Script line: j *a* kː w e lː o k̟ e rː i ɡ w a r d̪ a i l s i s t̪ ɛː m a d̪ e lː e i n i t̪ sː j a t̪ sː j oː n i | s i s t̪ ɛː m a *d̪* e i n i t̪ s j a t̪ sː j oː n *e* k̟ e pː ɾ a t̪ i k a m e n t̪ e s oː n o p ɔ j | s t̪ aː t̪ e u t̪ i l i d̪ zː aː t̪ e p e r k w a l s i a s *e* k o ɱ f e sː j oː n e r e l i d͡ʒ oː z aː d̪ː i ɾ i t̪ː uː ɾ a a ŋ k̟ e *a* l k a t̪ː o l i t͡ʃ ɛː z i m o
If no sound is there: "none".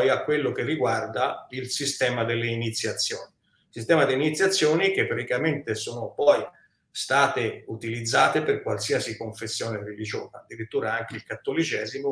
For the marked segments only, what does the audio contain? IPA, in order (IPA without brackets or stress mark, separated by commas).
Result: a, d̪, i, i, i